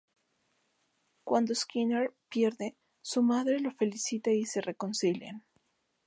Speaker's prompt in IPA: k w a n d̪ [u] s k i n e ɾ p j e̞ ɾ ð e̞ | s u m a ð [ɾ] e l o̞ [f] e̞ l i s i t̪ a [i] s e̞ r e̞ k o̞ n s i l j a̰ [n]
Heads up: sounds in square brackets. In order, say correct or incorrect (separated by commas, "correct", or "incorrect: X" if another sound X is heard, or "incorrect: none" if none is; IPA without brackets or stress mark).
incorrect: o, correct, correct, correct, correct